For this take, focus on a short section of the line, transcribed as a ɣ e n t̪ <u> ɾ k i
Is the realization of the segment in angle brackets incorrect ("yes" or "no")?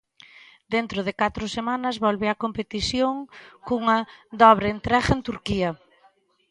no